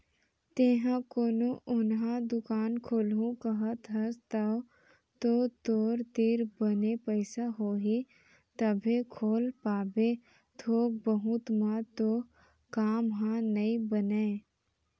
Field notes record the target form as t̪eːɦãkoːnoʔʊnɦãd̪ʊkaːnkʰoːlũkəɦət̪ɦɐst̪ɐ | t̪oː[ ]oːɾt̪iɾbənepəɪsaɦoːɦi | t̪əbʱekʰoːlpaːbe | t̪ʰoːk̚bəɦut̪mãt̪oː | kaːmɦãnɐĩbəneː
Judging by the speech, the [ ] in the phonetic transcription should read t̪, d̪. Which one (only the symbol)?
t̪